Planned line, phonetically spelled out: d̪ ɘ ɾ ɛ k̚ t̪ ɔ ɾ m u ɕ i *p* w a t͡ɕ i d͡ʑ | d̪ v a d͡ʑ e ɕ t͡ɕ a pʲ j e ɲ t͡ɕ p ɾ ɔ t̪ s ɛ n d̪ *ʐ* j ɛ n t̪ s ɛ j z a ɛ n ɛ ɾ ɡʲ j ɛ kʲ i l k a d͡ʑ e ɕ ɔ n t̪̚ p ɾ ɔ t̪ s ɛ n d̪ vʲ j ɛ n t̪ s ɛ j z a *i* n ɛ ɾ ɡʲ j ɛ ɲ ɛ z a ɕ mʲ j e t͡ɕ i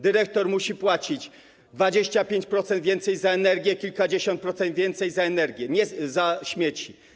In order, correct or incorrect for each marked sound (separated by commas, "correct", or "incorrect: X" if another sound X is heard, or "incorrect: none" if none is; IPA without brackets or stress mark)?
correct, incorrect: v, incorrect: ɛ